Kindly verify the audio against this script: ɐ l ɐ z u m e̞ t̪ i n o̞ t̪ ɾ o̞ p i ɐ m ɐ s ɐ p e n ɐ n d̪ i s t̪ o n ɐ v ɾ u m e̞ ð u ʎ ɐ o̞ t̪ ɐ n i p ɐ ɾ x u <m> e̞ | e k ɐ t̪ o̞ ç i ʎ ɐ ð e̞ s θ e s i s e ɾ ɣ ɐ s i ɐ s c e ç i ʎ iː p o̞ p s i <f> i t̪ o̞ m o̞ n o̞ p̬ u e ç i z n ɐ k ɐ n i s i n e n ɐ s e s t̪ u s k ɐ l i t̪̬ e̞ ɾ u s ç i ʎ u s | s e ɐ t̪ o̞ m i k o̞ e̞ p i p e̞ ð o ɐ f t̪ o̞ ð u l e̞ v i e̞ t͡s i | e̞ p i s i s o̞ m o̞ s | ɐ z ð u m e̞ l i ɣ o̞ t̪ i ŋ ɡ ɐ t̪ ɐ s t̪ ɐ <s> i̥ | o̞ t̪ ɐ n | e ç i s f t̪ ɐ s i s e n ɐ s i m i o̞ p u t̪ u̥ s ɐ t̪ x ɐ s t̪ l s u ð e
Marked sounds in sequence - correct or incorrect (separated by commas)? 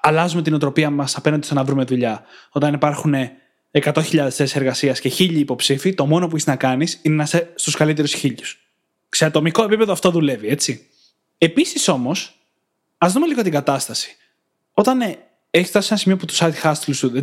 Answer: incorrect, correct, correct